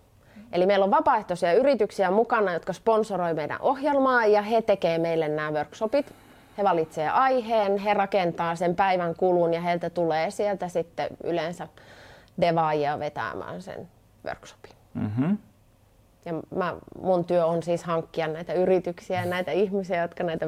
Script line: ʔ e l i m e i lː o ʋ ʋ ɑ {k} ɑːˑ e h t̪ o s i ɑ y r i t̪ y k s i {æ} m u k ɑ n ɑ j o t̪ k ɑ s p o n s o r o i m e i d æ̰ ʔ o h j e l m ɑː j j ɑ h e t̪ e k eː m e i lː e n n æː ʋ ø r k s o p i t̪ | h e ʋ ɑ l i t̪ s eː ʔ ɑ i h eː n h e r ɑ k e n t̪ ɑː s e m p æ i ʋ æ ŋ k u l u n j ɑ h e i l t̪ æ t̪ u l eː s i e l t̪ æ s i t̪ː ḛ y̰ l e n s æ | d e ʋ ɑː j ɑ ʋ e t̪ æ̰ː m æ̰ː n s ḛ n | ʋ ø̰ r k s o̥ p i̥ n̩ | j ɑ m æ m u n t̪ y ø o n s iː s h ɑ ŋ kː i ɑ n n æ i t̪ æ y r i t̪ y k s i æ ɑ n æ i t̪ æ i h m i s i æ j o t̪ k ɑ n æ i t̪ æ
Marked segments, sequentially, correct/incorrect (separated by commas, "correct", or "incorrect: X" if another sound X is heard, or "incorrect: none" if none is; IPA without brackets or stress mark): incorrect: p, correct